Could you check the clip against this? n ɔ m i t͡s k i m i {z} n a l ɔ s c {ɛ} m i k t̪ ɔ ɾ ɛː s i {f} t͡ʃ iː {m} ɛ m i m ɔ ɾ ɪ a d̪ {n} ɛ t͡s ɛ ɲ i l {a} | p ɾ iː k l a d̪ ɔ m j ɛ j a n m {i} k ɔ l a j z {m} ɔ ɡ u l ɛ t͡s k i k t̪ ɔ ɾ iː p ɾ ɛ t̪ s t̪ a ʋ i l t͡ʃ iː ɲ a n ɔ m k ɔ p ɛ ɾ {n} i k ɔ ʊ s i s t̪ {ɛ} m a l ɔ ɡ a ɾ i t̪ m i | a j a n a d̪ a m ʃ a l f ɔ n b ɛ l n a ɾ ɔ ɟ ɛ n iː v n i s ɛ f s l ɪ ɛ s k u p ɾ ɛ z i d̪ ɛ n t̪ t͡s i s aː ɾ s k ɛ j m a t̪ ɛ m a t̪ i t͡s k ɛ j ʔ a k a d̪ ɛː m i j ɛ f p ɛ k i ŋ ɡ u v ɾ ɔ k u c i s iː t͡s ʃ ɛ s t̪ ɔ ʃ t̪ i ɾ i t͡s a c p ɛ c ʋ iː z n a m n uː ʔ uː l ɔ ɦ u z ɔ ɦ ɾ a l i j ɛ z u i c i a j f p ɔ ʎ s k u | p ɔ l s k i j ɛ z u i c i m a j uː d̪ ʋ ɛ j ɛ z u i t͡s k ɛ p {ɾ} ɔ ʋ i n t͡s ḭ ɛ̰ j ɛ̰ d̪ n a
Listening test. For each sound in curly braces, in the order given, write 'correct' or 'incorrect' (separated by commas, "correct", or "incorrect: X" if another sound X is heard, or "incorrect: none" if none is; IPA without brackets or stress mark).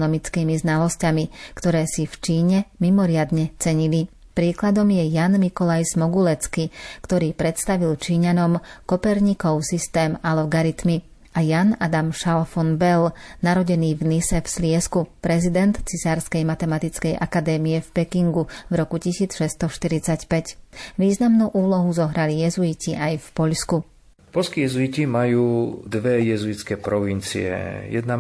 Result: correct, incorrect: a, correct, incorrect: ɲ, incorrect: ɲ, incorrect: i, correct, correct, incorrect: ɲ, incorrect: ɛː, correct